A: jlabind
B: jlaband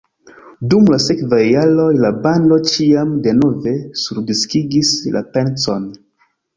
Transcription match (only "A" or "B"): B